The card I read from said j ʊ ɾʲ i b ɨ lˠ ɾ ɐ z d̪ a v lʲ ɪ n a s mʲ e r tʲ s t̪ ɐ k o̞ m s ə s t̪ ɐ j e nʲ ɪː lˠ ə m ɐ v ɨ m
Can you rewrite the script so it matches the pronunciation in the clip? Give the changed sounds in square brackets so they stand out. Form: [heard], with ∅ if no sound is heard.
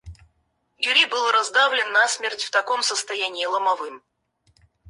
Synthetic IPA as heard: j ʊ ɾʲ i b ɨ lˠ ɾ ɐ z d̪ a v lʲ ɪ [nː] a s mʲ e r tʲ [f] t̪ ɐ k o̞ m s ə s t̪ ɐ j [æ] nʲ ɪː lˠ ə m ɐ v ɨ m